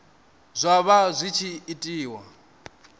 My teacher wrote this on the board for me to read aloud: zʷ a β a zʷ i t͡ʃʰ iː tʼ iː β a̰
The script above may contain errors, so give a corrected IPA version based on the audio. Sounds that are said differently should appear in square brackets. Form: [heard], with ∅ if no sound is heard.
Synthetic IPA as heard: zʷ a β a zʷ i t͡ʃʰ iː tʼ iː [w] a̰